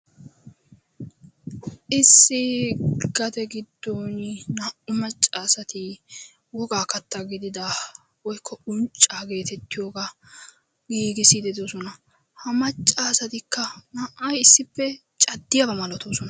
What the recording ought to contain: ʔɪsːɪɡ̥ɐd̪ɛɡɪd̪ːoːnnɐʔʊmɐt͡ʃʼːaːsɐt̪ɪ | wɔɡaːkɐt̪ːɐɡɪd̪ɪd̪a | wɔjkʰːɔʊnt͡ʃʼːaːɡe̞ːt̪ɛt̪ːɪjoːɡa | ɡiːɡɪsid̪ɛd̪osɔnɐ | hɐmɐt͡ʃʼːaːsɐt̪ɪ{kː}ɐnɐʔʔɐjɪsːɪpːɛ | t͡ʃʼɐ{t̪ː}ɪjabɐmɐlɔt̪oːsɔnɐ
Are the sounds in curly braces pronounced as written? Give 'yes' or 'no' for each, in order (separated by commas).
yes, no